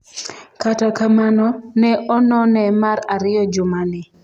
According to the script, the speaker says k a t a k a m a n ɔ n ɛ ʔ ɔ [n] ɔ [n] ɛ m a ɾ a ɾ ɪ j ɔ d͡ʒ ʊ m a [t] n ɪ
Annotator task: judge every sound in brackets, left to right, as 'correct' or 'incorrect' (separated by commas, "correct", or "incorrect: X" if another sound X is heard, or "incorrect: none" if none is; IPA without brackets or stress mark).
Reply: correct, correct, incorrect: none